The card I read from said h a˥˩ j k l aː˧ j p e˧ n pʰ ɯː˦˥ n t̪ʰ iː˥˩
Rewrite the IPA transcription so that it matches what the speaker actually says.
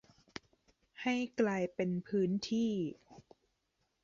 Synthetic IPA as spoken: h a˥˩ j k l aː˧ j p e˧ n pʰ ɯː˦˥ n t̪ʰ iː˥˩